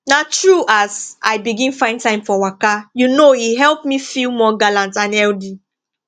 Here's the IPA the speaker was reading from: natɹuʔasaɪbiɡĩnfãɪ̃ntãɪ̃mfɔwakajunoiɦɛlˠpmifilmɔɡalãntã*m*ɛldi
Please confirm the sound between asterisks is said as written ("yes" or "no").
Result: no